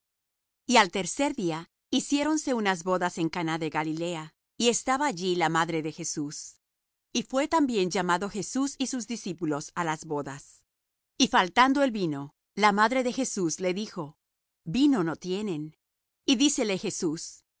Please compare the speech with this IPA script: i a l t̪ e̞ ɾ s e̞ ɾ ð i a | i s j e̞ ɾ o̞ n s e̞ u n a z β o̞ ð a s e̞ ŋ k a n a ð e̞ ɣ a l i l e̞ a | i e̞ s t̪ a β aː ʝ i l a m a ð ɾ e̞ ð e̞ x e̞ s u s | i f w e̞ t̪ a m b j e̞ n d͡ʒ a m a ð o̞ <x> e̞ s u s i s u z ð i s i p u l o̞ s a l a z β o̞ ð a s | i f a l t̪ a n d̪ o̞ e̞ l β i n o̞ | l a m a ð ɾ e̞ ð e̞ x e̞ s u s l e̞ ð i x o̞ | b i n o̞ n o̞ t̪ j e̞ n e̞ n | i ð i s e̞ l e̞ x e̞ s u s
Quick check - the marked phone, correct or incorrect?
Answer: correct